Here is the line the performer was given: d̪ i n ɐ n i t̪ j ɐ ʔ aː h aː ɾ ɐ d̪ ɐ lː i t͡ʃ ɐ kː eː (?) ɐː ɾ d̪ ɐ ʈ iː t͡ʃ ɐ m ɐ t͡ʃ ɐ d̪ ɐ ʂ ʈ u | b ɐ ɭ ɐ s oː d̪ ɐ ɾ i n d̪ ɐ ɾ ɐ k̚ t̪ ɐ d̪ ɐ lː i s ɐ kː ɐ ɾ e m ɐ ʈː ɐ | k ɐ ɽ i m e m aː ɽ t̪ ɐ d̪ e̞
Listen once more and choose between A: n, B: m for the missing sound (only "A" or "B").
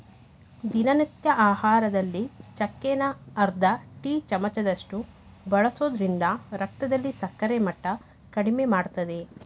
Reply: A